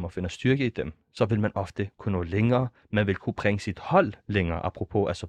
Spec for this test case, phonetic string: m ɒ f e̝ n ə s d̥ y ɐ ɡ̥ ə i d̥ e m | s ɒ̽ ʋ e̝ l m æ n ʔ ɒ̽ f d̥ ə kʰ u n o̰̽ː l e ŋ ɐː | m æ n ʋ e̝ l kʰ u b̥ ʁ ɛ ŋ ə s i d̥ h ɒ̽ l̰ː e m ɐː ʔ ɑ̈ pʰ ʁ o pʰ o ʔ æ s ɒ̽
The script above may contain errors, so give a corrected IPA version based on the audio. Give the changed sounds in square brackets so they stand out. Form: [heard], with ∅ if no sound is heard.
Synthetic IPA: m ɒ f e̝ n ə s d̥ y ɐ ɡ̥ ə i d̥ e m | s ɒ̽ ʋ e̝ l m æ n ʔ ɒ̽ f d̥ ə kʰ u n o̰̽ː l e ŋ ɐː | m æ n ʋ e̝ l kʰ u b̥ ʁ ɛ ŋ ə s i d̥ h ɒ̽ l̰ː e [ŋ] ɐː ʔ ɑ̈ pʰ ʁ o pʰ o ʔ æ s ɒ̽